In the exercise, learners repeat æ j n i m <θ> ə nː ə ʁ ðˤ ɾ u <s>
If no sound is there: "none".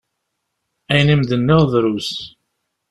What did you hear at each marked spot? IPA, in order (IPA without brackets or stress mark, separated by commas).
ð, s